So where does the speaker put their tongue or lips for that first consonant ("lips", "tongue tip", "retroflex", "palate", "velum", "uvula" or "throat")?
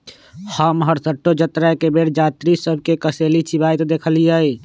throat